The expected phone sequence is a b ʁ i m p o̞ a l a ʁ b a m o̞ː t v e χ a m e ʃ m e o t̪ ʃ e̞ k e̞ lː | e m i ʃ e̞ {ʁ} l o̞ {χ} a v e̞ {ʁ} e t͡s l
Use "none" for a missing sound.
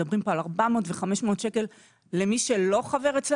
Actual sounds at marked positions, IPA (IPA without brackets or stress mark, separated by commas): none, χ, ʁ